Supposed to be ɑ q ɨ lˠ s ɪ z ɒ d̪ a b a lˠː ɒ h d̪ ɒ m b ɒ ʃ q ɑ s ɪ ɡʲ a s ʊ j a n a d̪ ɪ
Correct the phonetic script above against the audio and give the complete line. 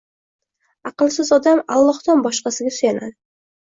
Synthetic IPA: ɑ q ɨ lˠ s ɪ z ɒ d̪ a m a lˠː ɒ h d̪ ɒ n b ɒ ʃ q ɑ s ɪ ɡʲ a s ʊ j a n a d̪ ɪ